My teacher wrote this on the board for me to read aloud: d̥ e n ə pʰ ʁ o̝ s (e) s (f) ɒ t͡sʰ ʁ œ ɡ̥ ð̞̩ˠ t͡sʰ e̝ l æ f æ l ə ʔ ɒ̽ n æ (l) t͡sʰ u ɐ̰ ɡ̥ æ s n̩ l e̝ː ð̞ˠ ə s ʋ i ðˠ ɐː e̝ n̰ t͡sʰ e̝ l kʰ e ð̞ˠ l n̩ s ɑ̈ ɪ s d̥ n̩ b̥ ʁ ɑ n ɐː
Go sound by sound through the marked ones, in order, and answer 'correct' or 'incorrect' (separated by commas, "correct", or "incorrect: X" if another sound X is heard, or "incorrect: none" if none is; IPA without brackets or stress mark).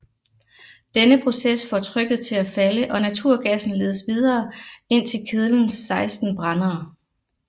correct, correct, incorrect: none